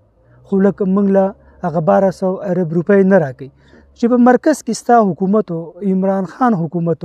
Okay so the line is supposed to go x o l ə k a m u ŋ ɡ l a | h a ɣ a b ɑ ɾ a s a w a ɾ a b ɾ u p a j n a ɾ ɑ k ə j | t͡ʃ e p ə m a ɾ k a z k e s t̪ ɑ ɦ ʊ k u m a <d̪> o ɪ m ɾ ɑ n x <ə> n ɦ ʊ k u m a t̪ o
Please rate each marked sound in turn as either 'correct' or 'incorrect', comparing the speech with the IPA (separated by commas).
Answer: incorrect, incorrect